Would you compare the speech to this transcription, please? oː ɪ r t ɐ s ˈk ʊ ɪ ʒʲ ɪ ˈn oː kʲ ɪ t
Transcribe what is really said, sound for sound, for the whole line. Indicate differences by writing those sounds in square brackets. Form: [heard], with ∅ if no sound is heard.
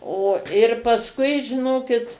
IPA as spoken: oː ɪ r [p] ɐ s ˈk ʊ ɪ ʒʲ ɪ ˈn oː kʲ ɪ t